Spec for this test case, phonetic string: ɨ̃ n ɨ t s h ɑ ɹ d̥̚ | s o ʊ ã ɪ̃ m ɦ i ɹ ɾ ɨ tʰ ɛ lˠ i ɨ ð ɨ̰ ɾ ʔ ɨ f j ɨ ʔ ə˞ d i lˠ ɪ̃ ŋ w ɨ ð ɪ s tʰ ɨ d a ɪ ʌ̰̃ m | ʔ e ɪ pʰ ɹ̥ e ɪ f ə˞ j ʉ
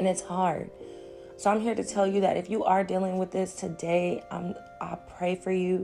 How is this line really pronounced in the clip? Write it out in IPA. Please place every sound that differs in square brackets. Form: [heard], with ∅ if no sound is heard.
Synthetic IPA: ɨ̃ n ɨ t s h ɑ ɹ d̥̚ | s o ʊ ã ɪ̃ m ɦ i ɹ ɾ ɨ tʰ ɛ lˠ [j] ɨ ð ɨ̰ ɾ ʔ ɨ f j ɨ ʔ ə˞ d i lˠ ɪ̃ ŋ w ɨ ð ɪ s tʰ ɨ d [e] ɪ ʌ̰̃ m | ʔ [a] ɪ pʰ ɹ̥ e ɪ f ə˞ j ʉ